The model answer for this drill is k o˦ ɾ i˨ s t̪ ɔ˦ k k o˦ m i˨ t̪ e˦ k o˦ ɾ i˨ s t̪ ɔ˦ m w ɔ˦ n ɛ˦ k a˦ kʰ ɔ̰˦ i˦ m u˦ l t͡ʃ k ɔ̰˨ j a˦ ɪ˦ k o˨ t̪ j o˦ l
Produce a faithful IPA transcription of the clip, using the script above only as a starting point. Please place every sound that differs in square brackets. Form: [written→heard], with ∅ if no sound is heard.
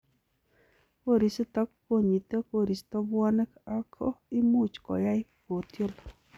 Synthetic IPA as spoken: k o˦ ɾ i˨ s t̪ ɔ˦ k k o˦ [m→ɲ] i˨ t̪ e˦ k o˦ ɾ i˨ s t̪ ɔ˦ [m→b] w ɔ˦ n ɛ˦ k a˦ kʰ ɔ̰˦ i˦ m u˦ [l→∅] t͡ʃ k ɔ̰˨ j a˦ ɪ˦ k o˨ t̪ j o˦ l